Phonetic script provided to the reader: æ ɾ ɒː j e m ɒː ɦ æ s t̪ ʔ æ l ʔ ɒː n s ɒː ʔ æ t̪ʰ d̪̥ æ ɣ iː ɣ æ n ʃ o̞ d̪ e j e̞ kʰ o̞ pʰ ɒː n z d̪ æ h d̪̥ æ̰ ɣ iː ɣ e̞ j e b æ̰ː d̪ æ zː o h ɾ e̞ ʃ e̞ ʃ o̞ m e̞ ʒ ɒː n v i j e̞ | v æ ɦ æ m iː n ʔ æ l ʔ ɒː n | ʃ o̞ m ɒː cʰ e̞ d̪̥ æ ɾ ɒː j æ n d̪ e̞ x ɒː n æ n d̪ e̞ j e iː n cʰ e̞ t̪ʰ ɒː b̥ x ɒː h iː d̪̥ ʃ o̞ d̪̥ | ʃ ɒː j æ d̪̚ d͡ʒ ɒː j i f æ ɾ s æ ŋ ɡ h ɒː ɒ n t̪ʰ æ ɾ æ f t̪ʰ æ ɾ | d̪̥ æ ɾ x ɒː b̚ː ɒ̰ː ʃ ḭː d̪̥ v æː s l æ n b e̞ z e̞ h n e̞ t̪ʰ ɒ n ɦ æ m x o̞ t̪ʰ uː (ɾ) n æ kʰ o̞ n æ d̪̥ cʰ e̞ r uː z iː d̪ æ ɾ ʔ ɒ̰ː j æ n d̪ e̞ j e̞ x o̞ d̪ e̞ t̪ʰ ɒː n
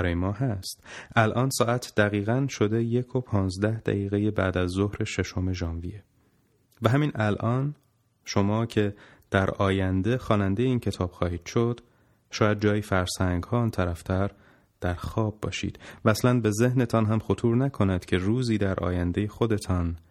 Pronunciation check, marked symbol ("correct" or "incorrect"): correct